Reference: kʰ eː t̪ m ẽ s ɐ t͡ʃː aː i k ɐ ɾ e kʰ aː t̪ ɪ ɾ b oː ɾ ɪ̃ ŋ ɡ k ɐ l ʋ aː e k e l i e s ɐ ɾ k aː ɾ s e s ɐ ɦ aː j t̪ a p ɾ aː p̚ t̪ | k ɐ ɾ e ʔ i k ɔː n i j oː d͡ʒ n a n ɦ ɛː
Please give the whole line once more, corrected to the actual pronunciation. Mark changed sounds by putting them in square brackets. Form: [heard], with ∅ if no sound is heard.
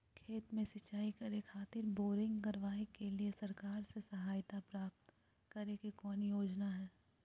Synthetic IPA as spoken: kʰ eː t̪ m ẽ s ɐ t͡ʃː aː i k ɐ ɾ e kʰ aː t̪ ɪ ɾ b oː ɾ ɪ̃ ŋ ɡ k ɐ [ɾ] ʋ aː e k e l i e s ɐ ɾ k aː ɾ s e s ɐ ɦ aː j t̪ a p ɾ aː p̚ t̪ | k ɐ ɾ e [k] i k ɔː n i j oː d͡ʒ n a [∅] ɦ ɛː

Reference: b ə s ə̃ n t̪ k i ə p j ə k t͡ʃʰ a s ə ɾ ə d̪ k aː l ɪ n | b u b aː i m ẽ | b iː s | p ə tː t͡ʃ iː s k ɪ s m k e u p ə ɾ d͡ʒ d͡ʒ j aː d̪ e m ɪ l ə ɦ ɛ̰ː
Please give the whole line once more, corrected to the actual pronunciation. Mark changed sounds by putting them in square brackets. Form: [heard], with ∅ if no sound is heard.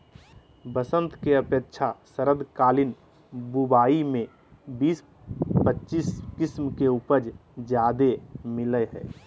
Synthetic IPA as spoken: b ə s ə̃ n t̪ k [e] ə p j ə k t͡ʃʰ a s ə ɾ ə d̪ k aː l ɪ n | b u b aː i m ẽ | b iː s | p ə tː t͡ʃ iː s k ɪ s m k e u p ə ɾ d͡ʒ d͡ʒ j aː d̪ e m ɪ l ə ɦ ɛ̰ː

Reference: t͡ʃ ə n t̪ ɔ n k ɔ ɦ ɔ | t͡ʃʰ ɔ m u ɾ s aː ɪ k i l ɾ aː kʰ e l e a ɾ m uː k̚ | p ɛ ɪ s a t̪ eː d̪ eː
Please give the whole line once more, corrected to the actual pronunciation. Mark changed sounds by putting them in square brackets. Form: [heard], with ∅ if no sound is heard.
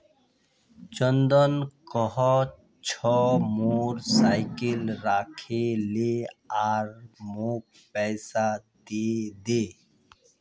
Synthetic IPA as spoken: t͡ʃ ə n [d̪] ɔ n k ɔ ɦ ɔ | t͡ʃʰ ɔ m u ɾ s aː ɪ k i l ɾ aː kʰ e l e a ɾ m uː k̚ | p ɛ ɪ s a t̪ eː d̪ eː

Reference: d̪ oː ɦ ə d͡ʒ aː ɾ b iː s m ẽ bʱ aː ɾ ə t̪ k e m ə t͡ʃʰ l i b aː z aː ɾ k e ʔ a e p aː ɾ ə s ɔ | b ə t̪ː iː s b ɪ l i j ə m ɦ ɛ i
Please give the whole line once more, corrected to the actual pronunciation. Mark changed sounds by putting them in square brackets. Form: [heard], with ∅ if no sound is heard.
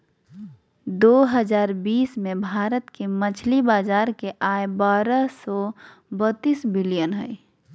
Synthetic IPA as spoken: d̪ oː ɦ ə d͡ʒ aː ɾ b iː s m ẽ bʱ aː ɾ ə t̪ k e m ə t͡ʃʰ l i b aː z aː ɾ k e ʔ a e [b] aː ɾ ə s ɔ | b ə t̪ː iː s b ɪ l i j ə [n] ɦ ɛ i

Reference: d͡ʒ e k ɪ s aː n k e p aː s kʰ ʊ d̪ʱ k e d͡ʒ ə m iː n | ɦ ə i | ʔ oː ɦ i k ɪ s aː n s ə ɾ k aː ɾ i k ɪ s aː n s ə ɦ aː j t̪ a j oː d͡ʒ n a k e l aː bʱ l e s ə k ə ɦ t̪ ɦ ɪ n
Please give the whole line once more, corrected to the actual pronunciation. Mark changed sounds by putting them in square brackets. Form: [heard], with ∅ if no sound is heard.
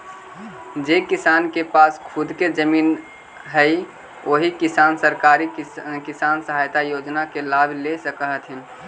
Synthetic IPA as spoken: d͡ʒ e k ɪ s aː n k e p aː s kʰ ʊ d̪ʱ k e d͡ʒ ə m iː n | ɦ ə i | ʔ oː ɦ i k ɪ s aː n s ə ɾ k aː ɾ i k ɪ s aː n s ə ɦ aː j t̪ a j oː d͡ʒ n a k e l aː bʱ l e s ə k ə ɦ t̪ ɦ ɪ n

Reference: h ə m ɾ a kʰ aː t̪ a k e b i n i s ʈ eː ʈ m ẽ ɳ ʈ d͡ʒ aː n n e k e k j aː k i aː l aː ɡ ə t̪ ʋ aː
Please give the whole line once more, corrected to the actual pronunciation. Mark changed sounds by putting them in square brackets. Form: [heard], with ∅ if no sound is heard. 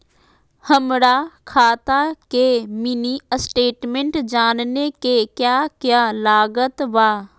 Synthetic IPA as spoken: h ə m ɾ a kʰ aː t̪ a k e [m] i n i s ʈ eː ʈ m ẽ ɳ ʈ d͡ʒ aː n n e k e k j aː k [j] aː l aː ɡ ə t̪ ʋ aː

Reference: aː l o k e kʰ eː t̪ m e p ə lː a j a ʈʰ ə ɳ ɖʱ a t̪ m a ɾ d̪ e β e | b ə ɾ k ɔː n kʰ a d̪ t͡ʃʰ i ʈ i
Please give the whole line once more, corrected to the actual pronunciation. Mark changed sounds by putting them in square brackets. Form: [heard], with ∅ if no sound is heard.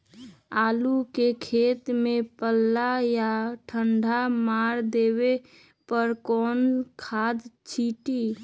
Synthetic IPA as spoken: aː l [u] k e kʰ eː t̪ m e p ə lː a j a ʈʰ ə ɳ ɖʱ a [∅] m a ɾ d̪ e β e | [p] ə ɾ k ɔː n kʰ a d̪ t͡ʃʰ i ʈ i

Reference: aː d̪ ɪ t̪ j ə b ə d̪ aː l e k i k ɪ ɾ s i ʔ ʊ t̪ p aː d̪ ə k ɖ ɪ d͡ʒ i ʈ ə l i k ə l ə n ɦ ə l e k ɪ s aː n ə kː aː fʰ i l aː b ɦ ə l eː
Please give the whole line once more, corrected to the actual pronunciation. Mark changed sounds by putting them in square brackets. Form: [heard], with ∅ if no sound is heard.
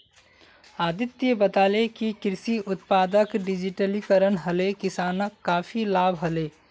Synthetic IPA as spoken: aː d̪ ɪ t̪ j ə b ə [t̪] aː l e k i k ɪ ɾ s i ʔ ʊ t̪ p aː d̪ ə k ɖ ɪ d͡ʒ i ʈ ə l i k ə [ɾ] ə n ɦ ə l e k ɪ s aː n ə kː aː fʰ i l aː b ɦ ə l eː

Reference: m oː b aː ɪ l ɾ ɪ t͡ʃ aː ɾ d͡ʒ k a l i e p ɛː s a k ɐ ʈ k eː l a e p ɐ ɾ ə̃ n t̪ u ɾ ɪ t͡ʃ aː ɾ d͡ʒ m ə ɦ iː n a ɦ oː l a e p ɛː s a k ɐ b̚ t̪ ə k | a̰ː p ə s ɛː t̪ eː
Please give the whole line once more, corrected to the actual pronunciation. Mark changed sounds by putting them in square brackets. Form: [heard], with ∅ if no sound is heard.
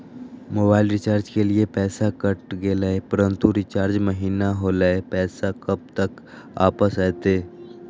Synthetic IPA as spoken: m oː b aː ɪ l ɾ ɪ t͡ʃ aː ɾ d͡ʒ k [e] l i e p ɛː s a k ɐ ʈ [ɡ] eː l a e p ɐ ɾ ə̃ n t̪ u ɾ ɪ t͡ʃ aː ɾ d͡ʒ m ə ɦ iː n a ɦ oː l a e p ɛː s a k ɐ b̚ t̪ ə k | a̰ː p ə s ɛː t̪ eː

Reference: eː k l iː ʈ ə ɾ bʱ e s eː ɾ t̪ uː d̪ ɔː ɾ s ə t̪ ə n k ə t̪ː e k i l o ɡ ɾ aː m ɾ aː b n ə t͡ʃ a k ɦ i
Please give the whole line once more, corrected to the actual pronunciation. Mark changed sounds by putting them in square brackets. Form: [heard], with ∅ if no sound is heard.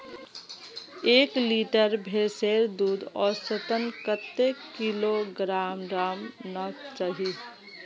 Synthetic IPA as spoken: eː k l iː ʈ ə ɾ bʱ e s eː ɾ [d̪] uː d̪ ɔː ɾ s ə t̪ ə n k ə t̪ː e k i l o ɡ ɾ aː m ɾ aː [m] n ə t͡ʃ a [∅] ɦ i

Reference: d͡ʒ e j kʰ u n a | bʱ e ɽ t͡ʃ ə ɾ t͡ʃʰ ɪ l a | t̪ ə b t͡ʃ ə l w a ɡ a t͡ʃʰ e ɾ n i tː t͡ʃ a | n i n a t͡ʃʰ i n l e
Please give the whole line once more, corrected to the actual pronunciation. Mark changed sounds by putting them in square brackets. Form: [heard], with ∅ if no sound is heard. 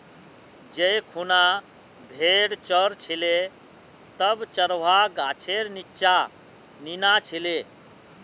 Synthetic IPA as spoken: d͡ʒ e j kʰ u n a | bʱ e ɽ t͡ʃ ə ɾ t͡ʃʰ [i] l [e] | t̪ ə b t͡ʃ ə [ɾ] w a ɡ a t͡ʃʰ e ɾ n i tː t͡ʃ a | n i n a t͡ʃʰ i [∅] l e

